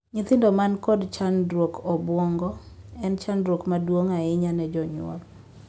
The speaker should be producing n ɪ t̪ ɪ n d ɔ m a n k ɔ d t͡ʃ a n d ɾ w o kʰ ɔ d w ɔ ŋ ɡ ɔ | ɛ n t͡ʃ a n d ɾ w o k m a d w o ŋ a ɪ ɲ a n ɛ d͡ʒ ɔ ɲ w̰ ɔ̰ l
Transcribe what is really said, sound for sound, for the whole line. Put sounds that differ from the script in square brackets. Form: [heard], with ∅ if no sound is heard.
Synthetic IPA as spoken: [ɲ] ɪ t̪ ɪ n d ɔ m a n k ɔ d t͡ʃ a n d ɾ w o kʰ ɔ [b] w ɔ ŋ ɡ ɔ | ɛ n t͡ʃ a n d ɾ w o k m a d w o ŋ a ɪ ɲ a n ɛ d͡ʒ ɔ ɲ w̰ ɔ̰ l